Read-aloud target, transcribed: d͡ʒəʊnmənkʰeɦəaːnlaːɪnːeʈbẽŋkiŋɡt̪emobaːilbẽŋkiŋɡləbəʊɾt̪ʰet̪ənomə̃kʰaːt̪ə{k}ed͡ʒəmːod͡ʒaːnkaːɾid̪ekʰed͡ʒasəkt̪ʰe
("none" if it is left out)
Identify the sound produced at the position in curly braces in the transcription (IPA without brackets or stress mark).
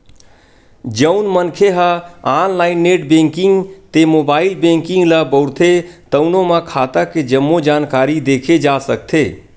k